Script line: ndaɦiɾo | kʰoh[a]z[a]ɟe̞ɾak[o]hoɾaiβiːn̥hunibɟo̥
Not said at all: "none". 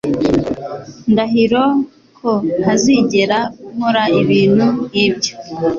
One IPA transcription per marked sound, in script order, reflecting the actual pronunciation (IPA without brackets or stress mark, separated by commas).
a, i, u